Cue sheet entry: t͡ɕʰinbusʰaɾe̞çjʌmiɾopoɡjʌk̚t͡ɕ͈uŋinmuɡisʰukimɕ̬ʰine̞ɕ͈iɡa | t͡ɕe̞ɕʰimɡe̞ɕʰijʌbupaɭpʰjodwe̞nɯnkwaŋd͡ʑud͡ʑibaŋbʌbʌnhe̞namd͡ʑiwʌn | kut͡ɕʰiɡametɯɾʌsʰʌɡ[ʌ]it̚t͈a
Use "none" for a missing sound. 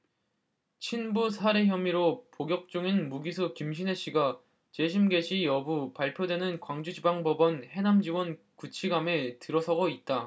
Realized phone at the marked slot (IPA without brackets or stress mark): ʌ